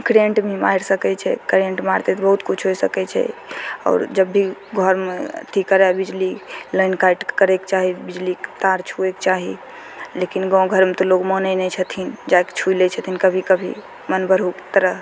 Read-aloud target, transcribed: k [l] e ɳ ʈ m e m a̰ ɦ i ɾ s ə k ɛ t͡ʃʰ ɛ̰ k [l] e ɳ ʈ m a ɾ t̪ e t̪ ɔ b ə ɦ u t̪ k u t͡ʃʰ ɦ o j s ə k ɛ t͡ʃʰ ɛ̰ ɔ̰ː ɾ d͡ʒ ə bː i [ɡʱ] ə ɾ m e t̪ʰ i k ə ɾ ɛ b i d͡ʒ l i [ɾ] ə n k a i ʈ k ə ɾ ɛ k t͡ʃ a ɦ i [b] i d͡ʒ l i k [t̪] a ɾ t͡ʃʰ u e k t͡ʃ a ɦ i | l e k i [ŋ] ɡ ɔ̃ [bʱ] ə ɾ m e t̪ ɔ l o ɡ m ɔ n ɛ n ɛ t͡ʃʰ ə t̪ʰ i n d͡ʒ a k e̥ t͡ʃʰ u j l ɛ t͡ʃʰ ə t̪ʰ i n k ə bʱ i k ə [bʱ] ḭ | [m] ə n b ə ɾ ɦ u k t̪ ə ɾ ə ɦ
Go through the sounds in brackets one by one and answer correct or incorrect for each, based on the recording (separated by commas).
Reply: incorrect, incorrect, correct, incorrect, correct, correct, incorrect, incorrect, correct, correct